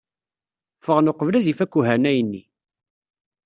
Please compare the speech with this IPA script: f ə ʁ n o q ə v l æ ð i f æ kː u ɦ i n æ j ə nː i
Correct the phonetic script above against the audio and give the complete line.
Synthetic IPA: f ə ʁ n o q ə v l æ ð i f æ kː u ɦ æ n æ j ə nː i